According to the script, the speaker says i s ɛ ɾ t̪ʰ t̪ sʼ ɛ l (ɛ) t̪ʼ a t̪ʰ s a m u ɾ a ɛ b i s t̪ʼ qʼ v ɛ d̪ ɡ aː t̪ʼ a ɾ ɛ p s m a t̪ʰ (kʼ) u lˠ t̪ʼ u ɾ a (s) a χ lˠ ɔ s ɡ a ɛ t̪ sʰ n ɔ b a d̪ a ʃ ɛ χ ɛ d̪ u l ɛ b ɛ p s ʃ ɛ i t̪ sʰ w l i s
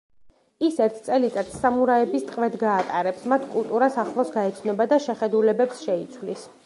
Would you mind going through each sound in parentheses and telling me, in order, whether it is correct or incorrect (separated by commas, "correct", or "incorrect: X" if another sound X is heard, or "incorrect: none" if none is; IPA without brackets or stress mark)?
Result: incorrect: i, correct, correct